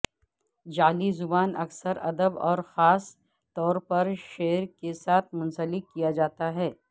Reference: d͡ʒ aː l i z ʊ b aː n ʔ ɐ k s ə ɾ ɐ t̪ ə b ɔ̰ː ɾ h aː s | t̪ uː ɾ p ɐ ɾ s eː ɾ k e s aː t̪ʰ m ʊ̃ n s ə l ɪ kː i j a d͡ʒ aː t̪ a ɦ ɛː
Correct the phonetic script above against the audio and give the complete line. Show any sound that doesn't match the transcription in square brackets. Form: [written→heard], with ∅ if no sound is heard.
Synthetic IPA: d͡ʒ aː l i z ʊ b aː n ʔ ɐ k s ə ɾ ɐ [t̪→d̪] ə b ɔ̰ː ɾ [h→x] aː s | t̪ [uː→ɔː] ɾ p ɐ ɾ [s→ʃ] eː ɾ k e s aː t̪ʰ m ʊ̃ n s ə l ɪ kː i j a d͡ʒ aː t̪ a ɦ ɛː